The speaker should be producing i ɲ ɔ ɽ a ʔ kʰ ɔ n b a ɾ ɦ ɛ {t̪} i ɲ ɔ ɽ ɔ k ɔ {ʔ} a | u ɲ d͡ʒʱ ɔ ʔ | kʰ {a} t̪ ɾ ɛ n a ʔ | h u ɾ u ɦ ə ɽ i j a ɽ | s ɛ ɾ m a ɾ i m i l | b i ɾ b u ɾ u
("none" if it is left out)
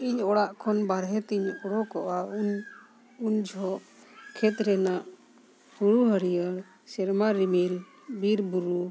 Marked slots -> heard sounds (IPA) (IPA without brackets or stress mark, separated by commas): t̪, ʔ, ɛ